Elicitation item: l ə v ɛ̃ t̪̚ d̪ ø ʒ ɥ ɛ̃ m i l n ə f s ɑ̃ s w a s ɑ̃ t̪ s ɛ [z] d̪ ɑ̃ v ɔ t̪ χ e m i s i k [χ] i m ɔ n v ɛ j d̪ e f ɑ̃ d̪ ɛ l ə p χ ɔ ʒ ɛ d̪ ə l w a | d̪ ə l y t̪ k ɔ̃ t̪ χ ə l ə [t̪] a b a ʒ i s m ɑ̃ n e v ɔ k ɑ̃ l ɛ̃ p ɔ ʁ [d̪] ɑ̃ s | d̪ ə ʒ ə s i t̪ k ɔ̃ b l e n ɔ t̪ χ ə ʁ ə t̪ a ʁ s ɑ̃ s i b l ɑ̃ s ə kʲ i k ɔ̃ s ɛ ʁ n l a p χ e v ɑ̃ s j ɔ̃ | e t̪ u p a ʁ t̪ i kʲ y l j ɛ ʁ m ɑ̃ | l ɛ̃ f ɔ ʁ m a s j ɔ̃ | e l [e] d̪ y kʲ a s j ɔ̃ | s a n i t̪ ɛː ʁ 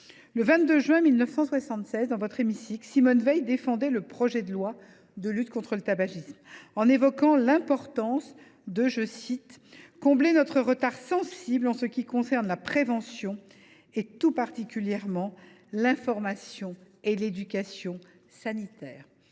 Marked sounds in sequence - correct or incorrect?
correct, incorrect, correct, incorrect, correct

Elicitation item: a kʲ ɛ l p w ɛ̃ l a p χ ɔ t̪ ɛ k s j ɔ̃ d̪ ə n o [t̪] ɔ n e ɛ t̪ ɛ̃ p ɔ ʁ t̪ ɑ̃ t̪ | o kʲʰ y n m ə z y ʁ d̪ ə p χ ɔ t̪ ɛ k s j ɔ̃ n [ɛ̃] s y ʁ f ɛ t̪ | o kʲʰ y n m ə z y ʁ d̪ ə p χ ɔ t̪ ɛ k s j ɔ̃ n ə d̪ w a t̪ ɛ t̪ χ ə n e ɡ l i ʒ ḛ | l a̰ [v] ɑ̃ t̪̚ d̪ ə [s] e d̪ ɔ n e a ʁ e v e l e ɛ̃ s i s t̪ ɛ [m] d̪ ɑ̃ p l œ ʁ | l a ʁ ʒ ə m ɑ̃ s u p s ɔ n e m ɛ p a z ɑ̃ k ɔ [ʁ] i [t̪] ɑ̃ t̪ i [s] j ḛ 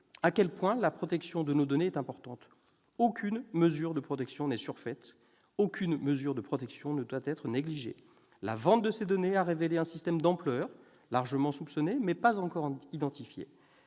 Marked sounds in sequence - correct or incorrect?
incorrect, incorrect, correct, correct, correct, correct, incorrect, incorrect

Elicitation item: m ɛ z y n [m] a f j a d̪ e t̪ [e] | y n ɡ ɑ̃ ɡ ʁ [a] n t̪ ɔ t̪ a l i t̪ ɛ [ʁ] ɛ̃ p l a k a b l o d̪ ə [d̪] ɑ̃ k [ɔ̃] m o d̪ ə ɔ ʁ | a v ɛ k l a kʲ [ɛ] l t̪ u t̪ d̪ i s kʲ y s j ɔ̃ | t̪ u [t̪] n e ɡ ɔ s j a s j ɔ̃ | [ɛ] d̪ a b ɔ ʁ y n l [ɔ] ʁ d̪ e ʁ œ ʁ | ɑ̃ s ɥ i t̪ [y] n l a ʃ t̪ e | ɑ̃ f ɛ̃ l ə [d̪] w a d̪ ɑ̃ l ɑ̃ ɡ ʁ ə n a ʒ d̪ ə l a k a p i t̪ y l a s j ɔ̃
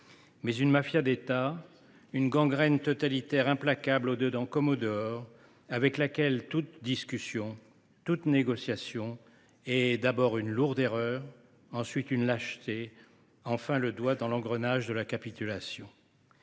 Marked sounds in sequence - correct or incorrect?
correct, incorrect, incorrect, correct, correct, incorrect, correct, correct, correct, incorrect, correct, correct

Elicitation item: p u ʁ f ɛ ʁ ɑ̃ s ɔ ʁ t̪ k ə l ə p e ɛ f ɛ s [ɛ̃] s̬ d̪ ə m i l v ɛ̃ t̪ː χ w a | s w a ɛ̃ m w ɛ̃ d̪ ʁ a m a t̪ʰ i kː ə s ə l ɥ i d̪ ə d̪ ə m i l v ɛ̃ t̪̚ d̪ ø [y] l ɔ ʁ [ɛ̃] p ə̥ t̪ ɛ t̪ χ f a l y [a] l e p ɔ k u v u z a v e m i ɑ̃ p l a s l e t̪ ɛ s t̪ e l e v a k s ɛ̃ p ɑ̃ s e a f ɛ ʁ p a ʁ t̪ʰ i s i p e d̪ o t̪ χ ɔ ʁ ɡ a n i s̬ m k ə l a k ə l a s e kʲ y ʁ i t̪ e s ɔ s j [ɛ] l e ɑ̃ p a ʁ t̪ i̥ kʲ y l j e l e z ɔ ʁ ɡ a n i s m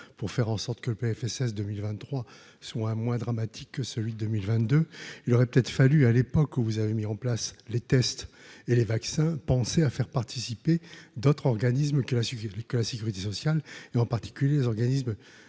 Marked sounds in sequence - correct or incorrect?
incorrect, incorrect, incorrect, correct, incorrect

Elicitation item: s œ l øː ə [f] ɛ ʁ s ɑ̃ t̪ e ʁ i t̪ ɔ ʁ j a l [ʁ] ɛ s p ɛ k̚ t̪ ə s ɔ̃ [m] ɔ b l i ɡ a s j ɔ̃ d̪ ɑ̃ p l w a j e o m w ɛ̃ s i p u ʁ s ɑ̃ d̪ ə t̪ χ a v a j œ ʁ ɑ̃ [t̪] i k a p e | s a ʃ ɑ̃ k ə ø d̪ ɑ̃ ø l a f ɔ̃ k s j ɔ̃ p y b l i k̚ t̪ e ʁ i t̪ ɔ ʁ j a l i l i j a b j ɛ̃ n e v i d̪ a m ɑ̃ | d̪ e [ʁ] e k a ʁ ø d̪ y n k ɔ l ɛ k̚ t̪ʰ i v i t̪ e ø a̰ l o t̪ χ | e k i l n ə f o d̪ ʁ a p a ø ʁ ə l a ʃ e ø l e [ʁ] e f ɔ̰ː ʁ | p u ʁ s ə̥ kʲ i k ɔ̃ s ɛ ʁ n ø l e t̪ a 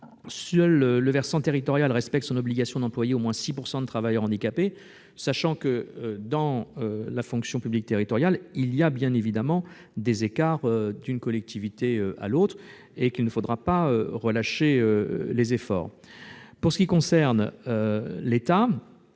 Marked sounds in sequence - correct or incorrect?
incorrect, correct, incorrect, incorrect, incorrect, incorrect

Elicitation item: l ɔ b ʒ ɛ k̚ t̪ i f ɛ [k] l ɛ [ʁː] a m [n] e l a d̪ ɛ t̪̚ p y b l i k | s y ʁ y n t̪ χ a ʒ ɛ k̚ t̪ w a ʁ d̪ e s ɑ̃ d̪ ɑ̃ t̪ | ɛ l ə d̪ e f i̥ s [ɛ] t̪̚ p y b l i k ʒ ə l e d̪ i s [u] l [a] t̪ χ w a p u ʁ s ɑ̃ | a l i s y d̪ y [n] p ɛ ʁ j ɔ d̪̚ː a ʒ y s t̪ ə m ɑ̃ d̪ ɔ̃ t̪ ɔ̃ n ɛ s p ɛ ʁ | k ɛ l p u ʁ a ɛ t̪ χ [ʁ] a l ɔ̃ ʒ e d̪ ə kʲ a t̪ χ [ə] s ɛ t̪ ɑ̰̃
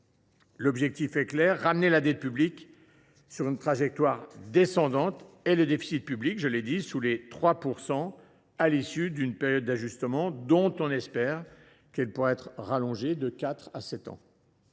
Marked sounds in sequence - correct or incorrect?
correct, correct, correct, incorrect, correct, incorrect, correct, correct, incorrect

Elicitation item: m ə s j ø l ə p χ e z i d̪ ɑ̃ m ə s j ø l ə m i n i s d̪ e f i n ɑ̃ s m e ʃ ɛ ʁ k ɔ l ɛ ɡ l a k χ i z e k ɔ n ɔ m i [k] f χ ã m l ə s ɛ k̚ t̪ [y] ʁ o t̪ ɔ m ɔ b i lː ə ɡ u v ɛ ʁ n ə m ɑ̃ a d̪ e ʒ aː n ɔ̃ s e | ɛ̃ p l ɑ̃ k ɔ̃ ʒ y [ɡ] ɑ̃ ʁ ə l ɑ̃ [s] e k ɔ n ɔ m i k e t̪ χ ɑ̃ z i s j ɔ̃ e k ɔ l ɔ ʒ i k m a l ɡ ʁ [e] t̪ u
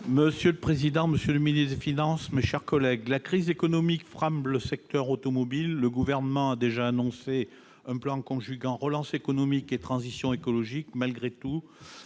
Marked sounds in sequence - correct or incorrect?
correct, incorrect, correct, correct, correct

